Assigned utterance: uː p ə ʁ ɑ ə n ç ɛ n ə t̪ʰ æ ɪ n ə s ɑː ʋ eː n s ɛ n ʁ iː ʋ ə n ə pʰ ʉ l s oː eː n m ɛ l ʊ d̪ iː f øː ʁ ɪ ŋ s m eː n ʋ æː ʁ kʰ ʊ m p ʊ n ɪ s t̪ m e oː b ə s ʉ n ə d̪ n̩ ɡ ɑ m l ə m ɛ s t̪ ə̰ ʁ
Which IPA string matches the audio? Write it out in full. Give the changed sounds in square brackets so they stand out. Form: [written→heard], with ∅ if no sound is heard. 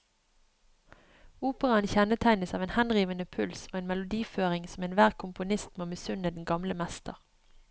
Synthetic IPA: uː p ə ʁ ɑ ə n ç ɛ n ə t̪ʰ æ ɪ n ə s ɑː ʋ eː n [s→h] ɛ n ʁ iː ʋ ə n ə pʰ ʉ l s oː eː n m ɛ l ʊ d̪ iː f øː ʁ ɪ ŋ s m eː n ʋ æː ʁ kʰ ʊ m p ʊ n ɪ s t̪ m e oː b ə s ʉ n ə d̪ n̩ ɡ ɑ m l ə m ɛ s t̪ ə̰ ʁ